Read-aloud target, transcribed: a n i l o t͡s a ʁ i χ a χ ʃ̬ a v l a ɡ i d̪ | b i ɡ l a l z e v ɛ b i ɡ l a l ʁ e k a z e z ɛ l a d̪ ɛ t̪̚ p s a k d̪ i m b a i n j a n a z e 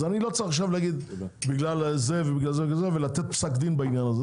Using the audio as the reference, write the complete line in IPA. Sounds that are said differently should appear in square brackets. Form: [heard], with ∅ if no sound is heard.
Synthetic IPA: a n i l o t͡s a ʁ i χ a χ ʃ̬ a v l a ɡ i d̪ | b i ɡ l a l z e v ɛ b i ɡ l a l [z] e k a z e [v] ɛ l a [t̪] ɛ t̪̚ p s a k d̪ i [n] b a i n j a n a z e